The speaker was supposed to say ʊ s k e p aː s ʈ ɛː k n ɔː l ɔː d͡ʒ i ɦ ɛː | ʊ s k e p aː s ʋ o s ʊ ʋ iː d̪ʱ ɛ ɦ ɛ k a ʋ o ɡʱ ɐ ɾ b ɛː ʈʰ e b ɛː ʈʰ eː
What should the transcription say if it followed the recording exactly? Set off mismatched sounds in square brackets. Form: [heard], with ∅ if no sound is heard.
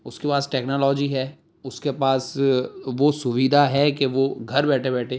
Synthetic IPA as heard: ʊ s k e p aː s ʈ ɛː k n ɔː l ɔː d͡ʒ i ɦ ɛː | ʊ s k e p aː s ʋ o s ʊ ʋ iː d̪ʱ [a] ɦ ɛ k [e] ʋ o ɡʱ ɐ ɾ b ɛː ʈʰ e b ɛː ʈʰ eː